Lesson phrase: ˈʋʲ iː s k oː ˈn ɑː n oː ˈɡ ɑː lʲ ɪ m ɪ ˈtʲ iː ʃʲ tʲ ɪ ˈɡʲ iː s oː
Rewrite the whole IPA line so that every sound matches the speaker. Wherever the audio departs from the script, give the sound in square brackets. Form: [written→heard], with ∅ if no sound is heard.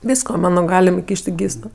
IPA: ˈʋʲ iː s k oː [ˈn→ˈm] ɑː n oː ˈɡ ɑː lʲ ɪ m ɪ [ˈtʲ→ˈkʲ] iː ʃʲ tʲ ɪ ˈɡʲ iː s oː